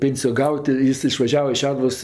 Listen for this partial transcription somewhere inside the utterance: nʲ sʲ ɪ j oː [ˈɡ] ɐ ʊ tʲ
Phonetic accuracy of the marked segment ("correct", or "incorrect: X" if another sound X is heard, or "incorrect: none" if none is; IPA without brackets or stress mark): correct